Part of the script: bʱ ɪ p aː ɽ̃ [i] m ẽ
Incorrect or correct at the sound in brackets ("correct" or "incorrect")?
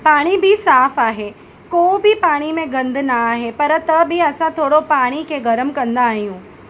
correct